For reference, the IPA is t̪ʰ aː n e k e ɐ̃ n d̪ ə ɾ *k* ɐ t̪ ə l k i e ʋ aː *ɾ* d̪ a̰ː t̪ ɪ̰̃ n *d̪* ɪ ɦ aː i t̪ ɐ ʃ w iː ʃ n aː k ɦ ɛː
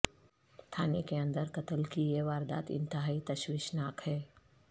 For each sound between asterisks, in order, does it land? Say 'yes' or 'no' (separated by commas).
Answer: yes, yes, no